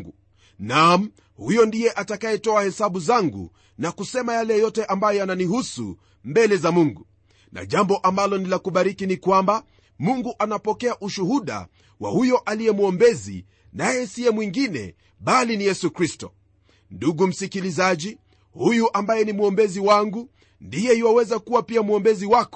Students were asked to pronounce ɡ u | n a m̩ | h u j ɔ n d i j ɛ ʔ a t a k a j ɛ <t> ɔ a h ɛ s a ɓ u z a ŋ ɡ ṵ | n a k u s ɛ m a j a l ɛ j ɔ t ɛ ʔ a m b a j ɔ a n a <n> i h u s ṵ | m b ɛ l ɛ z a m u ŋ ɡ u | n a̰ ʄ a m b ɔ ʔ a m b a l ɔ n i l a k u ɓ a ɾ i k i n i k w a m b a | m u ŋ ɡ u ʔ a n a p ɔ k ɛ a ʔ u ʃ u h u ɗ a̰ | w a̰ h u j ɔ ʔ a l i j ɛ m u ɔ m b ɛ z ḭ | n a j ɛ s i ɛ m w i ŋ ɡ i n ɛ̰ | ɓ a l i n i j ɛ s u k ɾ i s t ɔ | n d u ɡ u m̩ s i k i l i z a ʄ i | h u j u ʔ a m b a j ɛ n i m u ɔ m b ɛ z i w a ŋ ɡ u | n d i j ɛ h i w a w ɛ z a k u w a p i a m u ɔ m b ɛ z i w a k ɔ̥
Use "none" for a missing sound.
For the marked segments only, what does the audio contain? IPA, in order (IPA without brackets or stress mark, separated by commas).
t, n